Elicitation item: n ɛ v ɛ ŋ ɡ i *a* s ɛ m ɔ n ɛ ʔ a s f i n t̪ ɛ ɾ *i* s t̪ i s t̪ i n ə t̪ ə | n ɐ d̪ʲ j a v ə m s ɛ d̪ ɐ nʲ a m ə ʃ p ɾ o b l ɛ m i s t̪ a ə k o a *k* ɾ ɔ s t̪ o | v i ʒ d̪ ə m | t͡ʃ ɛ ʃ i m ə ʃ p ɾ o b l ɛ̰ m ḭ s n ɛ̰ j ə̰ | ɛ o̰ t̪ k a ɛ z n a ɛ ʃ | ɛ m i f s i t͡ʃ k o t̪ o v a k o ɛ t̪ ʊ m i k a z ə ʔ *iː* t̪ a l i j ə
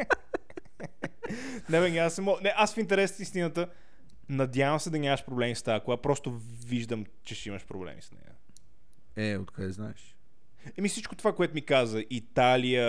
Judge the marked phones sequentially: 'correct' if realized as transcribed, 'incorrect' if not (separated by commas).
correct, incorrect, incorrect, incorrect